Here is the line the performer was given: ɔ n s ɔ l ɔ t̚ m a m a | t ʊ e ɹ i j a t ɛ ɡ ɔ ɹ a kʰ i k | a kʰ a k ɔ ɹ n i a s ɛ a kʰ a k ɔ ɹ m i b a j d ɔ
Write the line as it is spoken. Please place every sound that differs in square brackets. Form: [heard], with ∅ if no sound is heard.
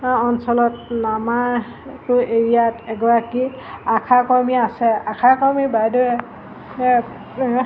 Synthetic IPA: ɔ n s ɔ l ɔ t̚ [n] a m a | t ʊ e ɹ i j a t ɛ ɡ ɔ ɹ a [k] i [∅] | a kʰ a k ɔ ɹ [m] i a s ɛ a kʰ a k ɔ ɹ m i b a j d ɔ